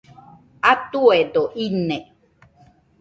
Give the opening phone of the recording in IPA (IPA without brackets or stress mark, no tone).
a